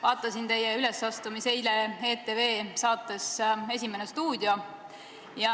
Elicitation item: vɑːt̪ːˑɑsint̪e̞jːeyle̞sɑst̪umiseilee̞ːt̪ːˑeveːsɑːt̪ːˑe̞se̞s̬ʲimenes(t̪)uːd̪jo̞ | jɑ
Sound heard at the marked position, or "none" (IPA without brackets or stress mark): t̪